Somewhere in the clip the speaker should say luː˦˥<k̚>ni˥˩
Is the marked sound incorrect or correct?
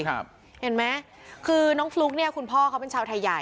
correct